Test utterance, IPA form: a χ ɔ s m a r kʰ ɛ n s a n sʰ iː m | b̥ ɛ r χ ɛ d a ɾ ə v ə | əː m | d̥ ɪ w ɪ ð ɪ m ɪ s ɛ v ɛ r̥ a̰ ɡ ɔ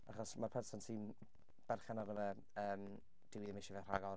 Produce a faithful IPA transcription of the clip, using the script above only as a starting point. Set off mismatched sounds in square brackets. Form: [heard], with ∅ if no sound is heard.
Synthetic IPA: a χ ɔ s m a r [pʰ] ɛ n s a n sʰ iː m | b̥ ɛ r χ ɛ [n] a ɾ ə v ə | əː m | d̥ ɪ w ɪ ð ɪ m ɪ [ʃ] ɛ v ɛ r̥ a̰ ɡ ɔ